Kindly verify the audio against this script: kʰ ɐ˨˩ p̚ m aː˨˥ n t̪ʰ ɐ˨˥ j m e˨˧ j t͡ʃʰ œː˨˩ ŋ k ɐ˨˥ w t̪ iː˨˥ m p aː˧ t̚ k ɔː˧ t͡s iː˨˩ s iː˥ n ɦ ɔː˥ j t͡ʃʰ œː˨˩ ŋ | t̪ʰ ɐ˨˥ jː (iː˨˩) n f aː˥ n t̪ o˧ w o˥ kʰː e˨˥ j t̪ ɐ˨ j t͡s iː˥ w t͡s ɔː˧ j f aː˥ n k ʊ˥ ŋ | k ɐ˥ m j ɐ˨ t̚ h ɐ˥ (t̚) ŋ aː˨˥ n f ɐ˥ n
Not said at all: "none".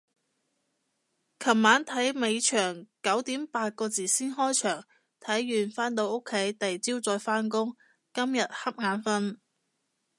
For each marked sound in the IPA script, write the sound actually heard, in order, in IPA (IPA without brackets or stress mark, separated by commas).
yː˨˩, p̚